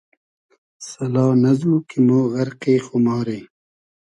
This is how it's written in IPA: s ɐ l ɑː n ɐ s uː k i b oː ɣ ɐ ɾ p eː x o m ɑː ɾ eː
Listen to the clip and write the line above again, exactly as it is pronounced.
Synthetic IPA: s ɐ l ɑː n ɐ z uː k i m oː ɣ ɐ ɾ q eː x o m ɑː ɾ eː